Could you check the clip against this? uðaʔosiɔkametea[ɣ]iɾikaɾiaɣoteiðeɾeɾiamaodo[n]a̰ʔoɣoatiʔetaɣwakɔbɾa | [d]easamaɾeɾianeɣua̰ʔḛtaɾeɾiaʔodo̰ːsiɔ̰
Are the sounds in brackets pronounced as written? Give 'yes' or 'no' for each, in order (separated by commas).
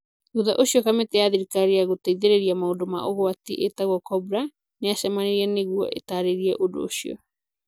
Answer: no, no, no